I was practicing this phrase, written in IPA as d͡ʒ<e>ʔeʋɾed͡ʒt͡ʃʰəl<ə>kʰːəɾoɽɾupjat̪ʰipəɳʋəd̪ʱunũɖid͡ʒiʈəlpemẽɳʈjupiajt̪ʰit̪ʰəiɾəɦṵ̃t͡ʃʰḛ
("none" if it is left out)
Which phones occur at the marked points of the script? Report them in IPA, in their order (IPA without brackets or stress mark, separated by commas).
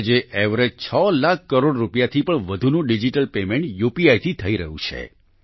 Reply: e, a